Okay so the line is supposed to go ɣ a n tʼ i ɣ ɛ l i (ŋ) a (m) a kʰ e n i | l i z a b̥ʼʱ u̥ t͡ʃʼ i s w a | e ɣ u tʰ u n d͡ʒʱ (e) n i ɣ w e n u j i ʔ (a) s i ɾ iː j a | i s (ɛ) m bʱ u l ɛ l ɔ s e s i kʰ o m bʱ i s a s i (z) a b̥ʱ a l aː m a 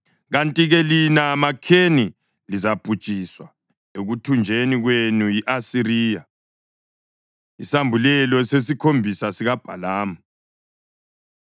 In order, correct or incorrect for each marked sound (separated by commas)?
incorrect, correct, correct, correct, incorrect, incorrect